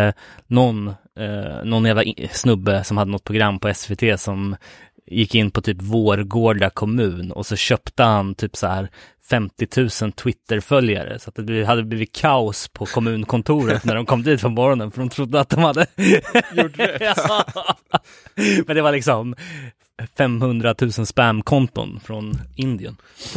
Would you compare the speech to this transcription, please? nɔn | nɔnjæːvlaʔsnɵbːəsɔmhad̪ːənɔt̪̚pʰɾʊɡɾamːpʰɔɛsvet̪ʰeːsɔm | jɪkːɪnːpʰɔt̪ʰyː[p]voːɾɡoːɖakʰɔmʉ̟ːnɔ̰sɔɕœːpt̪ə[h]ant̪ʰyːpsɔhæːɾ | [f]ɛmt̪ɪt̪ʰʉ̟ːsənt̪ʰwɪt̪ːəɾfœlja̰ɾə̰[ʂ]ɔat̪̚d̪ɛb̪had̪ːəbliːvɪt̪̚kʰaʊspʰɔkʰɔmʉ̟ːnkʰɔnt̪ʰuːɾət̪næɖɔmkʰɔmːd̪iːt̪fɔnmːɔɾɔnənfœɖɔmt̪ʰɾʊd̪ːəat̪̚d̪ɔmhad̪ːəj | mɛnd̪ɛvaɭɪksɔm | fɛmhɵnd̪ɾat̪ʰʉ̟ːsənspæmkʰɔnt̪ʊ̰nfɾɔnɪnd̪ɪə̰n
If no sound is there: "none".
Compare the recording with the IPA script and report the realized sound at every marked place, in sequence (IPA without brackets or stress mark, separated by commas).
p, h, f, s